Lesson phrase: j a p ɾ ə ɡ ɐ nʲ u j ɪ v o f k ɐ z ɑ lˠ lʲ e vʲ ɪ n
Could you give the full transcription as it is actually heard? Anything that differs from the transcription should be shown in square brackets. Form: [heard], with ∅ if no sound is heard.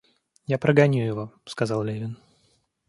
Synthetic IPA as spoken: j a p ɾ ə ɡ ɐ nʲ u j ɪ v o [s] k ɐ z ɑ lˠ lʲ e vʲ ɪ n